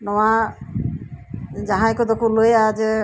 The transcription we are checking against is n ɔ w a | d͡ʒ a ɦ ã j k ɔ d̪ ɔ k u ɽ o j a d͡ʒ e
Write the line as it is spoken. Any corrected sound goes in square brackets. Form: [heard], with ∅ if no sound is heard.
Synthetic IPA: n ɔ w a | d͡ʒ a ɦ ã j k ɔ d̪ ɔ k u [l] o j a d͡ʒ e